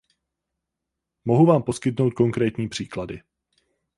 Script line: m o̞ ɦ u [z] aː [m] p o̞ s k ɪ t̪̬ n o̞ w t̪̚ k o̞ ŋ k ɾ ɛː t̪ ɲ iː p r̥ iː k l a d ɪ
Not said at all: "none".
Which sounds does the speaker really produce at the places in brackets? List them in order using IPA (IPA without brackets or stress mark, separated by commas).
v, m